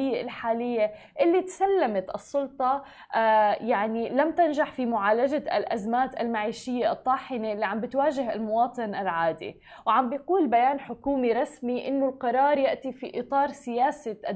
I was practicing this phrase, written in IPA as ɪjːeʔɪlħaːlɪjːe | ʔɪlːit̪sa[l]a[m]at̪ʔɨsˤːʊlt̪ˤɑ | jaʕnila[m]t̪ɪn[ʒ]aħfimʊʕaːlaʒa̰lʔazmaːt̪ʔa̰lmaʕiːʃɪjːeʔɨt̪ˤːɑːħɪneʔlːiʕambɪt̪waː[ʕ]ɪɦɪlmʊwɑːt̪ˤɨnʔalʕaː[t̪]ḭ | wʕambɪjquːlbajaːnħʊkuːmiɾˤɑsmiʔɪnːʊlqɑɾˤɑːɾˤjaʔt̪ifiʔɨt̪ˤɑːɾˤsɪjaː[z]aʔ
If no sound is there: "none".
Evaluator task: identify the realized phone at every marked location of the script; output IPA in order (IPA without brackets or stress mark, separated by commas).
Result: lː, m, m, ʒ, ʒ, d̪, s